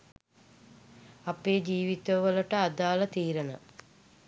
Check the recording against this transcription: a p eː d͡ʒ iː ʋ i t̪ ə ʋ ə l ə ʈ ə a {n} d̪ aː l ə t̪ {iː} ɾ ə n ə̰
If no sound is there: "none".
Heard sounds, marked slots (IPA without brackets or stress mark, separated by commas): none, iː